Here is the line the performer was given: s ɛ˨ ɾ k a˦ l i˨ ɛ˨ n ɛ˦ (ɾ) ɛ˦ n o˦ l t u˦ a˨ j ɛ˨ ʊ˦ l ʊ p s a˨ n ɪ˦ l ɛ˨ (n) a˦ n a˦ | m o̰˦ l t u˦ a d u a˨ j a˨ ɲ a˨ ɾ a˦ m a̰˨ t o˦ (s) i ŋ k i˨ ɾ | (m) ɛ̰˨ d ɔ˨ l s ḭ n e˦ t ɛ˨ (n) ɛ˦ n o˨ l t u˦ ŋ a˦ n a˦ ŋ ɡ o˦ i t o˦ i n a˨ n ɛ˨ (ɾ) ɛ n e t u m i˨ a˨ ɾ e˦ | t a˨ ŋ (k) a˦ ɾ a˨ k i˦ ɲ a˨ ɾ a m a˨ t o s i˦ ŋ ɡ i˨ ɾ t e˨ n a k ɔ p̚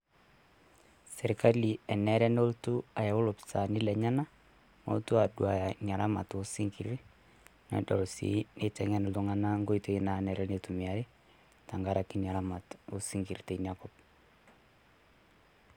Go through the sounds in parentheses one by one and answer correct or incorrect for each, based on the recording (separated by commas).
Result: correct, incorrect, correct, incorrect, incorrect, correct, incorrect